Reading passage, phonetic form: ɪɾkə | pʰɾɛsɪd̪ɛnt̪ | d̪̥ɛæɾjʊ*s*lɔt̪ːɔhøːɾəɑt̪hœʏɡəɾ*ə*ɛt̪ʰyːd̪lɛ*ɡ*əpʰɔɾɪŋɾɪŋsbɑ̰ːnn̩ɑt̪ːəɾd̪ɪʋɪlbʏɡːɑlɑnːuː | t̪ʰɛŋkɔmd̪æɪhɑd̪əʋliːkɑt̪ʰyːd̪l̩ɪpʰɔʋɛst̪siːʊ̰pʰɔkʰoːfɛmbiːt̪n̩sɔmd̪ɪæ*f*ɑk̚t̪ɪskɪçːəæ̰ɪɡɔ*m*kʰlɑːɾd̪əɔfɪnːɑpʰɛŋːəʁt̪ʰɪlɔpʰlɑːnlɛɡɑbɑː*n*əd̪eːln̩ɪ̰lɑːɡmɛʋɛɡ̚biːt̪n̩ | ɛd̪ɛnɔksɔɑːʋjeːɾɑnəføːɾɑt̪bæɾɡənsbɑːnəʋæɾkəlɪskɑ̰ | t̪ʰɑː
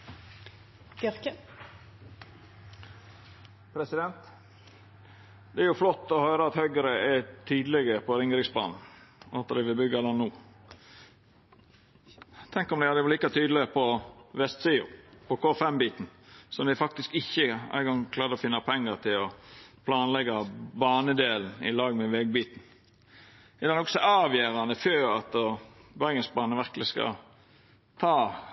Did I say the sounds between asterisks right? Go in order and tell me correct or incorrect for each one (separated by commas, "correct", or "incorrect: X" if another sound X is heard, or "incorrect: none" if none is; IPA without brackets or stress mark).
incorrect: f, correct, correct, correct, incorrect: ŋ, correct